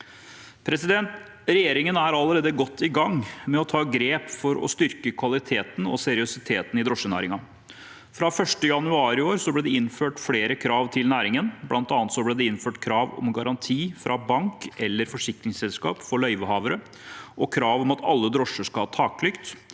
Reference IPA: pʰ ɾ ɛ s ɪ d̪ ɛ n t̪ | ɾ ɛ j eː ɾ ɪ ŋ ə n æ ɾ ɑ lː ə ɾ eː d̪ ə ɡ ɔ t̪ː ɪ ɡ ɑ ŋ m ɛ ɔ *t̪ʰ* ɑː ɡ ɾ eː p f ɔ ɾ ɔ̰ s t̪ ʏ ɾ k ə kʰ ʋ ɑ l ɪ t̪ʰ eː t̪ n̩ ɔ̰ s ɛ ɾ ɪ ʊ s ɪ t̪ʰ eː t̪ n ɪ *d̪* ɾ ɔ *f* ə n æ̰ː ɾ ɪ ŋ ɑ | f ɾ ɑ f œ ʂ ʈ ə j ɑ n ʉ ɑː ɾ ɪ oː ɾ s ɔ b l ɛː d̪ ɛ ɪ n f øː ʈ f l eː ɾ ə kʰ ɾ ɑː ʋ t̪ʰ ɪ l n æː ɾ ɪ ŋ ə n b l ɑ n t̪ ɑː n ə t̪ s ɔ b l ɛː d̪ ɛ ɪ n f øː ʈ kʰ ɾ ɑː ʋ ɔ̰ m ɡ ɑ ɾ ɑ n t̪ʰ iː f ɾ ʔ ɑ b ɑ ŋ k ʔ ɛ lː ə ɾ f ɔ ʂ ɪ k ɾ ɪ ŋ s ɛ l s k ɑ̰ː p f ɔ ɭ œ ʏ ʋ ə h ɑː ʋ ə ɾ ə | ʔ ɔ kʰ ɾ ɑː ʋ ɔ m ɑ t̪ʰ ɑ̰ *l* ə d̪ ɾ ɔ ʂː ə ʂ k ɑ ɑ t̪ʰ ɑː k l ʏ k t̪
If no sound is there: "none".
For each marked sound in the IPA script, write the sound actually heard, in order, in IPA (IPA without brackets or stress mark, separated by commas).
t̪ʰ, d̪, ʂ, lː